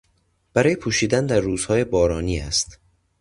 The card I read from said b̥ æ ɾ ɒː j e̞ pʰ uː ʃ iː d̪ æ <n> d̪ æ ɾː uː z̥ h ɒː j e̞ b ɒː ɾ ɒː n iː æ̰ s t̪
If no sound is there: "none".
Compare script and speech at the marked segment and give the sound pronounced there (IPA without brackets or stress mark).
n